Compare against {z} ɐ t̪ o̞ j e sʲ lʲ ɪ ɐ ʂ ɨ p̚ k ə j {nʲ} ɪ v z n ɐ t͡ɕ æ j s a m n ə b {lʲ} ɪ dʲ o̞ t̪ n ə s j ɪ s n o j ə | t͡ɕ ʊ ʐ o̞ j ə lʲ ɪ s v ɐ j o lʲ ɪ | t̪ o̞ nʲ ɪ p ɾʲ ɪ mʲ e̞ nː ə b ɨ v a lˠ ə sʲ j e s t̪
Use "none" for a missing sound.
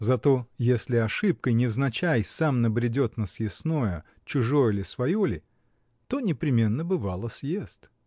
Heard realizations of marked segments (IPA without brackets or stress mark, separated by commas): z, nʲ, ɾʲ